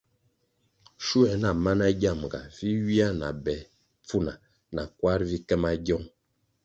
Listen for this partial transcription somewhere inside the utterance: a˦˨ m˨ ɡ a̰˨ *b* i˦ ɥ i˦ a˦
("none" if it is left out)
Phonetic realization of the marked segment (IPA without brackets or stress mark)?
v